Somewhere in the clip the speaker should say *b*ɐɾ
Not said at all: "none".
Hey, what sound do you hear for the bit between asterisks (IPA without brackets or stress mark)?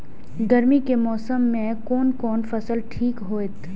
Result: ɡ